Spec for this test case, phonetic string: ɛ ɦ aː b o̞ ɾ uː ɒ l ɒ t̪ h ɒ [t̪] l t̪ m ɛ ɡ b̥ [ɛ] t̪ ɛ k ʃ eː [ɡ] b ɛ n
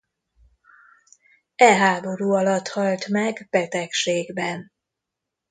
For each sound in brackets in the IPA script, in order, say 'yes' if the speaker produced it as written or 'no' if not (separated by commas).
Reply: no, yes, yes